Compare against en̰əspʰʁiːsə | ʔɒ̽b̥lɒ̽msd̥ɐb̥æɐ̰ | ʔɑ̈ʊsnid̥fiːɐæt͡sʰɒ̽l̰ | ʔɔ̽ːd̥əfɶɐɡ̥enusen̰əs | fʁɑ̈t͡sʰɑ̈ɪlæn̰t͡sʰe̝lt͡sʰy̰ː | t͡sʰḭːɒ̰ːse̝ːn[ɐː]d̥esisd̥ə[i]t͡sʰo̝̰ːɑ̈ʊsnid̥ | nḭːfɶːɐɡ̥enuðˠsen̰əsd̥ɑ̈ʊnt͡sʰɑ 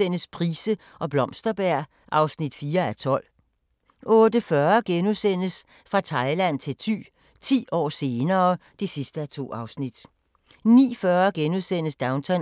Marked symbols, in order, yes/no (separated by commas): yes, no